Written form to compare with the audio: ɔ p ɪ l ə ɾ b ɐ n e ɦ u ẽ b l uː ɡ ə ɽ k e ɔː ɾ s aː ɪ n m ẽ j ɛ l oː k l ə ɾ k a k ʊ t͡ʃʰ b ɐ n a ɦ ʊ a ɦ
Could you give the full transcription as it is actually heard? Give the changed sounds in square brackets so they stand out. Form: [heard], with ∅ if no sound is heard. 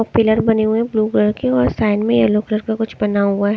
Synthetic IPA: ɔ p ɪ l ə ɾ b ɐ n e ɦ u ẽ b l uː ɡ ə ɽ k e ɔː ɾ s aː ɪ n m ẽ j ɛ l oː k l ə ɾ k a k ʊ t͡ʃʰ b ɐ n a ɦ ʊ a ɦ